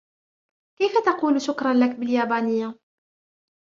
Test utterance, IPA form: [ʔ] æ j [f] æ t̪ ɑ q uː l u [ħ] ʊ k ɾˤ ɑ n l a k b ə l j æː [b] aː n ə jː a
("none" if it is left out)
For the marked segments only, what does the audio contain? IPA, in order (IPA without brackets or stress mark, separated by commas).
k, f, ʃ, b